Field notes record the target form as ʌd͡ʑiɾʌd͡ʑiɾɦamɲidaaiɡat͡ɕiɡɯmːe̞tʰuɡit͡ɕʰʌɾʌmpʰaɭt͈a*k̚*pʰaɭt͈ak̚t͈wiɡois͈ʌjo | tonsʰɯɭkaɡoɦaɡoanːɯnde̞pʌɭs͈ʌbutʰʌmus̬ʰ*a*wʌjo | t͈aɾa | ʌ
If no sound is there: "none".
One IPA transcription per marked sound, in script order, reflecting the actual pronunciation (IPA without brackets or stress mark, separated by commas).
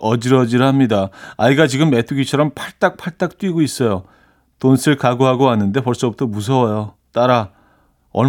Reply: k̚, ʌ